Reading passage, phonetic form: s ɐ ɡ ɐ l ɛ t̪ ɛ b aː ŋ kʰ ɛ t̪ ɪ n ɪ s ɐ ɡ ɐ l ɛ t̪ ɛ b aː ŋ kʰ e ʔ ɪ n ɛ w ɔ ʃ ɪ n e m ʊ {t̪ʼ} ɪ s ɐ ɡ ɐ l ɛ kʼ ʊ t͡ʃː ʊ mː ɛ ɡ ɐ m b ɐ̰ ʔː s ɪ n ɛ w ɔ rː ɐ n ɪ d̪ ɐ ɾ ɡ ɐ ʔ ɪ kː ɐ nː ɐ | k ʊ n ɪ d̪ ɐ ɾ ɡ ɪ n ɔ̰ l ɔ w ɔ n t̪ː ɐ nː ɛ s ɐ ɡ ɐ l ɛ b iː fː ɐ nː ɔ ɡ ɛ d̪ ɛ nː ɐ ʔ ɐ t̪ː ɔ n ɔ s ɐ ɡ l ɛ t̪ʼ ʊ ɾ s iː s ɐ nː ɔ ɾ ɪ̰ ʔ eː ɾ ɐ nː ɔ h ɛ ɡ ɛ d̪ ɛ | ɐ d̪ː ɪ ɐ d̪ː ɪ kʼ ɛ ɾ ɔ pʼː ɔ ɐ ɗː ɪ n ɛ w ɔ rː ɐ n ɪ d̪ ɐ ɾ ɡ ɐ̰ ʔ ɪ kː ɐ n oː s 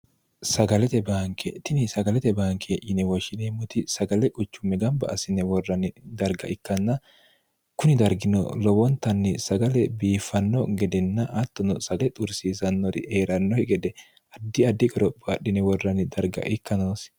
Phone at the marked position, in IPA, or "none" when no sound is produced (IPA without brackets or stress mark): t̪